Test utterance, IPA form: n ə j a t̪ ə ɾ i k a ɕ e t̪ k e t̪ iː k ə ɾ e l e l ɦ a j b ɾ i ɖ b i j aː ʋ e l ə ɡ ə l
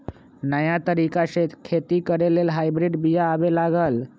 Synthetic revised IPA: n ə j a t̪ ə ɾ i k a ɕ e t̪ kʰ e t̪ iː k ə ɾ e l e l ɦ a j b ɾ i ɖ b i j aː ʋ e l a ɡ ə l

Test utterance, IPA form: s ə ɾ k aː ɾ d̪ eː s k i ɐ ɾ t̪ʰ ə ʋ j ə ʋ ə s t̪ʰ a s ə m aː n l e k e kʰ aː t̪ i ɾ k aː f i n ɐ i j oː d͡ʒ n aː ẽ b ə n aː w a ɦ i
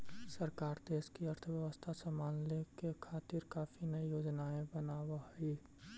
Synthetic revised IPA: s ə ɾ k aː ɾ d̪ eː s k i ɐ ɾ t̪ʰ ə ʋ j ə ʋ ə s t̪ʰ a s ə m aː n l e k e kʰ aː t̪ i ɾ k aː f i n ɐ i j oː d͡ʒ n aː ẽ b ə n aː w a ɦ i

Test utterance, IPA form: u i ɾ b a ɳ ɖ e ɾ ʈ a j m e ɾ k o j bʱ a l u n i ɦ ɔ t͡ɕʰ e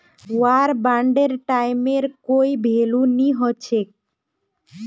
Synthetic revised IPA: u a ɾ b a ɳ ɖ e ɾ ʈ a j m e ɾ k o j bʱ e l u n i ɦ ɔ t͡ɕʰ e

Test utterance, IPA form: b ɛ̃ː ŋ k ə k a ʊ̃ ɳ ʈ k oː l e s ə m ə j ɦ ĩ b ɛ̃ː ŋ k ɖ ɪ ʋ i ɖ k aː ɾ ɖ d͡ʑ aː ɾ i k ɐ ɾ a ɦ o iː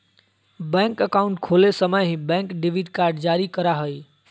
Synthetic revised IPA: b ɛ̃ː ŋ k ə k a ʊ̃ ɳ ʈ kʰ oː l e s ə m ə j ɦ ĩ b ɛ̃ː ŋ k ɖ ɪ ʋ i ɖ k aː ɾ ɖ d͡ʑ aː ɾ i k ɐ ɾ a ɦ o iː

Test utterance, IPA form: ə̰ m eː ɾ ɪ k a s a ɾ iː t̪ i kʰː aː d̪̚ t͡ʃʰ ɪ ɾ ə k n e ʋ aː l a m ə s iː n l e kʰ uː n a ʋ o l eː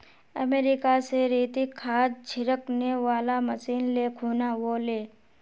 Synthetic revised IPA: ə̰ m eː ɾ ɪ k a s e ɾ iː t̪ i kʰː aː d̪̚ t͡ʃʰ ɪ ɾ ə k n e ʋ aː l a m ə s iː n l e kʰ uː n a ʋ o l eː

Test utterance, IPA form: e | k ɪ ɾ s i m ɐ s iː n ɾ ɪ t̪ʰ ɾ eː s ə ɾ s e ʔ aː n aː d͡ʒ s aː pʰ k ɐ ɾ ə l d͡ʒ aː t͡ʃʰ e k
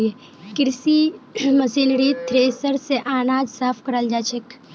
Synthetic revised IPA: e | k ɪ ɾ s i m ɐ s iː n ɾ i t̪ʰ ɾ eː s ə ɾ s e ʔ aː n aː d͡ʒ s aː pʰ k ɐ ɾ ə l d͡ʒ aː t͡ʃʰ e k

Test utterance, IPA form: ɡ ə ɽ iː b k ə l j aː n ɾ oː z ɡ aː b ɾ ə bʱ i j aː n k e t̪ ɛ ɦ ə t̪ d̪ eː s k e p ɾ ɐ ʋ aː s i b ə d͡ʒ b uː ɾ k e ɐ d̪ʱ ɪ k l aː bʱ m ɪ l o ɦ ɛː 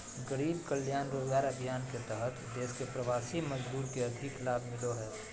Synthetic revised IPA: ɡ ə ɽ iː b k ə l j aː n ɾ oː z ɡ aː ɾ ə bʱ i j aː n k e t̪ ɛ ɦ ə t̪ d̪ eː s k e p ɾ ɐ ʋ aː s i m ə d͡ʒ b uː ɾ k e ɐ d̪ʱ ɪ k l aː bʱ m ɪ l o ɦ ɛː

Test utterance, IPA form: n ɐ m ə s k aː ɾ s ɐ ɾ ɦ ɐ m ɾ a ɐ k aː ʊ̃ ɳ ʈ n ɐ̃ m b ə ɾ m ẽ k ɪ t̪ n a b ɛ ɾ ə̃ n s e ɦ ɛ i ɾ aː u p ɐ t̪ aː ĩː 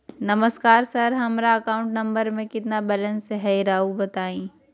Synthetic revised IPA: n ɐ m ə s k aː ɾ s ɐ ɾ ɦ ɐ m ɾ a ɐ k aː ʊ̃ ɳ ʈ n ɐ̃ m b ə ɾ m ẽ k ɪ t̪ n a b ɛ l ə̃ n s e ɦ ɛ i ɾ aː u b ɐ t̪ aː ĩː

